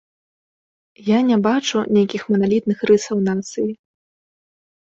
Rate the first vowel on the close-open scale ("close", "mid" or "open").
open